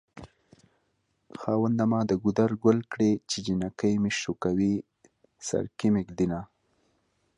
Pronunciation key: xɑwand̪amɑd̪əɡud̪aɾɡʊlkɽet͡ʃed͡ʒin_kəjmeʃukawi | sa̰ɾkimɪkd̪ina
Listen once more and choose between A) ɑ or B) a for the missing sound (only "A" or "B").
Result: B